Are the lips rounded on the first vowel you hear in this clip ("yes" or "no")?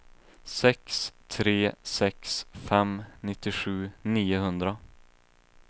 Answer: no